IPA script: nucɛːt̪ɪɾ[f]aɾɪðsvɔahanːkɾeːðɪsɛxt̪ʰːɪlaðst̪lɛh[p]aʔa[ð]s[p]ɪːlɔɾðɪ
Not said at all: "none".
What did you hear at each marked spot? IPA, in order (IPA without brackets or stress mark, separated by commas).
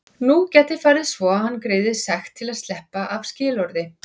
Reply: f, p, v, c